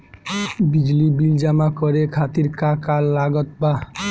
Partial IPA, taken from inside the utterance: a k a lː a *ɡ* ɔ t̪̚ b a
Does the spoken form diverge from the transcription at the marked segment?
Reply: no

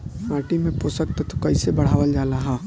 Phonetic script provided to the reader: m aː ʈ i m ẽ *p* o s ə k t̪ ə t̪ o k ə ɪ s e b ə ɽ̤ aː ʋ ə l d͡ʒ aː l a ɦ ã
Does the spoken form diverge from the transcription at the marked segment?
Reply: no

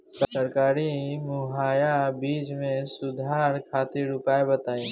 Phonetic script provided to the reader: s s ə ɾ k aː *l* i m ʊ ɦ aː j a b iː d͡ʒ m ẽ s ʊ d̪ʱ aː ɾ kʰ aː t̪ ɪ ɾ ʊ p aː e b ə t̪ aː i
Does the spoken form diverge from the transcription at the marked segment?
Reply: yes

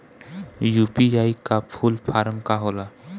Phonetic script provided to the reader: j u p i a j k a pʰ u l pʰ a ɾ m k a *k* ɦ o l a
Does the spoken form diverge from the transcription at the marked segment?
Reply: yes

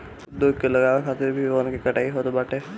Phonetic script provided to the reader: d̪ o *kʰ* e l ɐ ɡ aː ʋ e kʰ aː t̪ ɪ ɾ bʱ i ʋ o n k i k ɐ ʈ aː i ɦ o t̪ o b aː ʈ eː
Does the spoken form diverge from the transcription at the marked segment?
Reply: yes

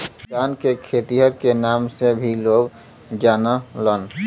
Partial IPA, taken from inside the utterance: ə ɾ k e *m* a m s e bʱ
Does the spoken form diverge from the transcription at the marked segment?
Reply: yes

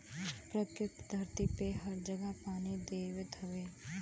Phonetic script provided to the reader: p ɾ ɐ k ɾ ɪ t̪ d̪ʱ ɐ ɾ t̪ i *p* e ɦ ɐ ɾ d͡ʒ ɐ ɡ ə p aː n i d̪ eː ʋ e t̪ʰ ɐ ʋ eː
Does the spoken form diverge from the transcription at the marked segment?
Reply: no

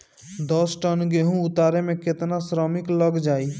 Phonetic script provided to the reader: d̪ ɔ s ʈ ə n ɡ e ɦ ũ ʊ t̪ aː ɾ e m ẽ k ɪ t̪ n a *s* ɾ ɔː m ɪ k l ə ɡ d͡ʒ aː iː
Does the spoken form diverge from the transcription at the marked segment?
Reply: no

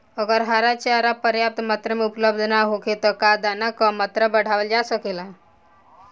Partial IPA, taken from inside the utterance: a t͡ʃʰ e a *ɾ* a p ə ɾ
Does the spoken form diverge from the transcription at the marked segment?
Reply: no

